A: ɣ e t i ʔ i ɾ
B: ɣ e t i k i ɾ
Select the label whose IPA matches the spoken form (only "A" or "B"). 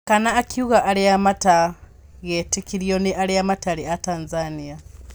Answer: B